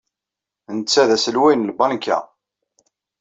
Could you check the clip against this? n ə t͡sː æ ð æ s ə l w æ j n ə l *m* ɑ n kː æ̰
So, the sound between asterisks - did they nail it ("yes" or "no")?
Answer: no